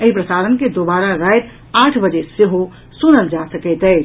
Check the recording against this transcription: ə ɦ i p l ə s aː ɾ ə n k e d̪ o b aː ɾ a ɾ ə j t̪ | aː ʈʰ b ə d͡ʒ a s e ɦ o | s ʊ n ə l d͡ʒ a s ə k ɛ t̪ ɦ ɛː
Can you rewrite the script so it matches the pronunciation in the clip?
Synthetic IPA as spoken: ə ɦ i p ɾ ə s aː ɾ ə n k e d̪ o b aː ɾ a ɾ a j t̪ | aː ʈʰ b ə d͡ʒ e s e ɦ o | s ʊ n ə l d͡ʒ a s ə k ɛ t̪ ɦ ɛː